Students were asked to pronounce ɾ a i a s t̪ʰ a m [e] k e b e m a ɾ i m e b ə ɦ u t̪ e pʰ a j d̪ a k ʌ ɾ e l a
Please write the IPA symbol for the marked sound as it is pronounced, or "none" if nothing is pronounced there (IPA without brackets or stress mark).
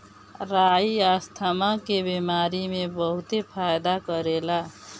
a